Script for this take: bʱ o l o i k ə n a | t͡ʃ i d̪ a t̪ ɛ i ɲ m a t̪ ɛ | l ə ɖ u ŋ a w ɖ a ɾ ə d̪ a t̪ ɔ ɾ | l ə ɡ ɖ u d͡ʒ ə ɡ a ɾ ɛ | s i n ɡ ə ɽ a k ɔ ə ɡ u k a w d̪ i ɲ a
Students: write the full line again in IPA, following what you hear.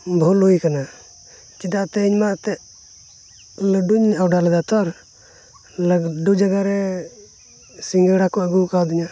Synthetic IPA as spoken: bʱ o l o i k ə n a | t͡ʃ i d̪ a t̪ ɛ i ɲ m a t̪ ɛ | l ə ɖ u ɲ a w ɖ a l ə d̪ a t̪ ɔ ɾ | l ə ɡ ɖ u d͡ʒ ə ɡ a ɾ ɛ | s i ŋ ɡ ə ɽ a k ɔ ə ɡ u k a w d̪ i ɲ a